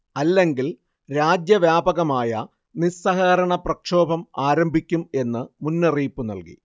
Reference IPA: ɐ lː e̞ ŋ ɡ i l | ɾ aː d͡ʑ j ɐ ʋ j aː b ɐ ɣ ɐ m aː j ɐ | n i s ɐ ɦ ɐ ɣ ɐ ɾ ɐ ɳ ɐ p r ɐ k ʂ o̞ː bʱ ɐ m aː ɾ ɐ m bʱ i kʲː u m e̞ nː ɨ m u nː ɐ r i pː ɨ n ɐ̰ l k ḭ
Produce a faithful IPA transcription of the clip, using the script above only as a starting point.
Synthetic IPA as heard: ɐ lː e̞ ŋ ɡ i l | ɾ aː d͡ʑ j ɐ ʋ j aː b ɐ ɣ ɐ m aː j ɐ | n i s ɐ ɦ ɐ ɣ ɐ ɾ ɐ ɳ ɐ p r ɐ k ʂ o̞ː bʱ ɐ m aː ɾ ɐ m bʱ i kʲː u m e̞ nː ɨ m u nː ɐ r iː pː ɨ n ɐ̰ l k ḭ